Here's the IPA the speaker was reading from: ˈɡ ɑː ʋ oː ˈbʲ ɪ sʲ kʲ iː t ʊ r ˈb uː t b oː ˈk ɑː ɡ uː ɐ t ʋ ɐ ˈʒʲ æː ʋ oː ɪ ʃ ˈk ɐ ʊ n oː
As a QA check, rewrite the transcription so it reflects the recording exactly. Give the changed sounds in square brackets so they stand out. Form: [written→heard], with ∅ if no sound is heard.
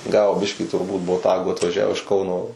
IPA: ˈɡ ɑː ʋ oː ˈbʲ ɪ [sʲ→ʃʲ] kʲ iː t ʊ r ˈb uː t b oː [ˈk→ˈt] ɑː ɡ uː ɐ t ʋ ɐ ˈʒʲ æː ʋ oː ɪ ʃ ˈk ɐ ʊ n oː